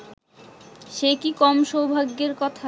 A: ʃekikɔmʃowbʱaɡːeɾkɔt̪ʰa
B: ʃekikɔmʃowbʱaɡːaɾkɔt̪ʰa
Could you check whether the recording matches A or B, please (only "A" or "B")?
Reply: A